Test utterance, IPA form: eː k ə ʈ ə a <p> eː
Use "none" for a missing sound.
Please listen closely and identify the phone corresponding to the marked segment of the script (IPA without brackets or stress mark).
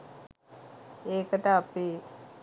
p